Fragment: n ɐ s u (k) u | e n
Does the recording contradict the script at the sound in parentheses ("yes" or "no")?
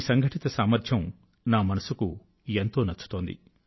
no